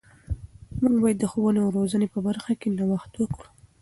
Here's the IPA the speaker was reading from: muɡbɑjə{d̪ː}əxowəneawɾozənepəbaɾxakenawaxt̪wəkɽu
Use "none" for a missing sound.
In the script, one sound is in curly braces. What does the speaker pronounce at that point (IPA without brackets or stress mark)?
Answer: d̪ː